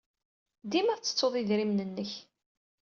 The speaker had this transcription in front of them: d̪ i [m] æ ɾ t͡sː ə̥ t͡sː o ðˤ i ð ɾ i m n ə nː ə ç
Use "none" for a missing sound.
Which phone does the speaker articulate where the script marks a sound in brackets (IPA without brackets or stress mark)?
m